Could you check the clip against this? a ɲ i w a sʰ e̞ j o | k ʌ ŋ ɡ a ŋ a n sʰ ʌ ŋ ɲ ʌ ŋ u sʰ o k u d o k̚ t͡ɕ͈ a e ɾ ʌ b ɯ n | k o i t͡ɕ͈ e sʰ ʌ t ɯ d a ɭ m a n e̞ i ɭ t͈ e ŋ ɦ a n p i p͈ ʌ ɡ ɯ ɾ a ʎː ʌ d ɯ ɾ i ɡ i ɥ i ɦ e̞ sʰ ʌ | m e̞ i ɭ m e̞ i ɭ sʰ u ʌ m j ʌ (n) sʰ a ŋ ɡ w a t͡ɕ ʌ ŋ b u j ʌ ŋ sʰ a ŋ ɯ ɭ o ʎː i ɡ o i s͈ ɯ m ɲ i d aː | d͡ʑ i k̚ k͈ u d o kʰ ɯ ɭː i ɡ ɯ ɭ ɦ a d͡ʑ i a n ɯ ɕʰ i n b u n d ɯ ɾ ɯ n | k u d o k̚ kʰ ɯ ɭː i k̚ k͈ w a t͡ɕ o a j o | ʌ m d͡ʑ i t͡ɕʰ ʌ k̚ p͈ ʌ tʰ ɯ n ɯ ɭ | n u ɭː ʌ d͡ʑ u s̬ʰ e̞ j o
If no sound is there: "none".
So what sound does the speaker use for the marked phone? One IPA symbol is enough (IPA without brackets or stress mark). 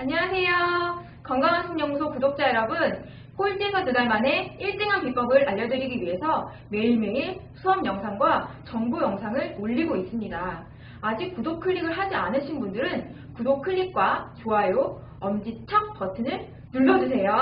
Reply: ŋ